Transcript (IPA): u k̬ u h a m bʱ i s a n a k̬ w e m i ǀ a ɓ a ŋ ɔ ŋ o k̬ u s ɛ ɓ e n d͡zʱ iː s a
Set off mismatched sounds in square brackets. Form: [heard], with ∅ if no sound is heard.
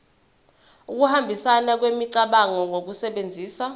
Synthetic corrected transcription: u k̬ u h a m bʱ i s a n a k̬ w e m i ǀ a ɓ a ŋ ɔ ŋ o k̬ u s ɛ ɓ e n d͡zʱ iː s a